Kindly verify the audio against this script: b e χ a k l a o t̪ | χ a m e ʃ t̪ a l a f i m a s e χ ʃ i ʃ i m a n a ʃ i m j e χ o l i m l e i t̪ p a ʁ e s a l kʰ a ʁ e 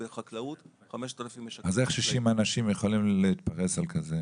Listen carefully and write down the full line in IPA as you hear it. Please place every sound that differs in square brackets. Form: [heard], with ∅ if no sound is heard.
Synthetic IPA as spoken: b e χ a k l a [u] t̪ | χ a m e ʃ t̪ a l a f i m a [z] e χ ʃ i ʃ i m a n a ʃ i m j e χ o l i m l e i t̪ p a ʁ e s a l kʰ a [z] e